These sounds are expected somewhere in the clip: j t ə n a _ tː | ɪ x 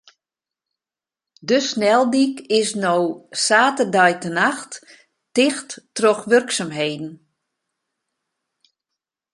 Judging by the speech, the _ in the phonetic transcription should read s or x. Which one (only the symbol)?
x